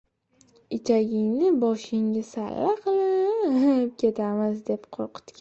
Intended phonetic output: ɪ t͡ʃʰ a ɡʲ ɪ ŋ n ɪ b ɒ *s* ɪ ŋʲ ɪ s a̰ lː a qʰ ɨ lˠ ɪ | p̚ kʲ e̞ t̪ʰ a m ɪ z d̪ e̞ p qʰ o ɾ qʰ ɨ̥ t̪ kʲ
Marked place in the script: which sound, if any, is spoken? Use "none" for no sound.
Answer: ʃ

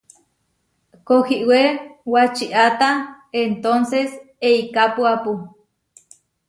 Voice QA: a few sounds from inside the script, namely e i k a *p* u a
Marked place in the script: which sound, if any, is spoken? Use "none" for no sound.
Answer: p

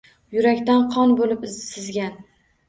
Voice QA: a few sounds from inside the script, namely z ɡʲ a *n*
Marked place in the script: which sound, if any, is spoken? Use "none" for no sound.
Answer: n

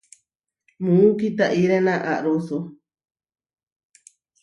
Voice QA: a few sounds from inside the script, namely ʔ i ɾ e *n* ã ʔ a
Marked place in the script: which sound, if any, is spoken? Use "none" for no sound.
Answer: n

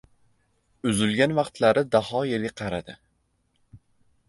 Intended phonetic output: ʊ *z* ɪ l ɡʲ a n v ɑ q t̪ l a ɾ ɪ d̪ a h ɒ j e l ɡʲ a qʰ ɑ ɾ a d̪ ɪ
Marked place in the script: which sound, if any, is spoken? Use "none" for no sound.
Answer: z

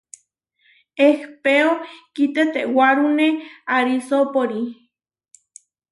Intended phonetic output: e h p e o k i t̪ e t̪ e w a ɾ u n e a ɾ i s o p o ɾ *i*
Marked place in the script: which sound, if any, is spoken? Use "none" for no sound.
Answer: i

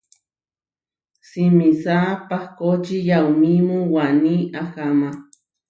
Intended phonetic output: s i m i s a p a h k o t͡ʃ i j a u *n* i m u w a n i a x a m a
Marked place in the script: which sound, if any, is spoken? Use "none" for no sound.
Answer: m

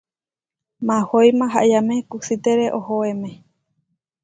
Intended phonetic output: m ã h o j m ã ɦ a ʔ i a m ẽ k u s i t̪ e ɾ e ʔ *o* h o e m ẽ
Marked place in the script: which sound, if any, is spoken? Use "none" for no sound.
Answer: o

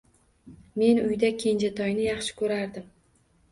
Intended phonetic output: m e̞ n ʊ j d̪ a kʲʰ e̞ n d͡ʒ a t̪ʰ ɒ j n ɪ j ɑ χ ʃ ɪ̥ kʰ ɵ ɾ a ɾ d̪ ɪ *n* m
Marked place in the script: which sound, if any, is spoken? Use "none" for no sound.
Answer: none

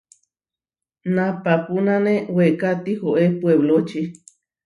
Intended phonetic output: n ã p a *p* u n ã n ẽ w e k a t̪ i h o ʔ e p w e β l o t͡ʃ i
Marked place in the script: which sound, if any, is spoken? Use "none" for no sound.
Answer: p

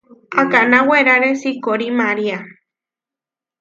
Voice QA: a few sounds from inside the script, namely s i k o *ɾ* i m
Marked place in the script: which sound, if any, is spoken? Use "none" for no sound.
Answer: ɾ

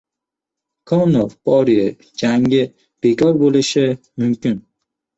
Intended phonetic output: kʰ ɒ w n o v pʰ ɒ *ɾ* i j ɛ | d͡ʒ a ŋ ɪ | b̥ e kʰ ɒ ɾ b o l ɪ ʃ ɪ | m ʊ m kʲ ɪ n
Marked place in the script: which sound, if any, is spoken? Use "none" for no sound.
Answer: ɾ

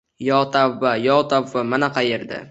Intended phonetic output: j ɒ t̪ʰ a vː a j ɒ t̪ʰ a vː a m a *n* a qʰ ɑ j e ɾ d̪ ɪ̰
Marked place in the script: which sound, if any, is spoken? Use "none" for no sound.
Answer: n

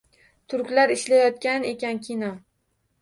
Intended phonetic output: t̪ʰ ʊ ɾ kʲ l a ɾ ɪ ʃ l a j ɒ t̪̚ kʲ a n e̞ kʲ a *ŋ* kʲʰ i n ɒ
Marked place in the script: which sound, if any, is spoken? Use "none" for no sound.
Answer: n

